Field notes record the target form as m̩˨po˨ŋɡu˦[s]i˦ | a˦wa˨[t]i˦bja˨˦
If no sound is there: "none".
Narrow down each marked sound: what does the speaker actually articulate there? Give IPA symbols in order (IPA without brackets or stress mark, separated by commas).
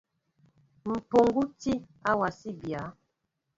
t, s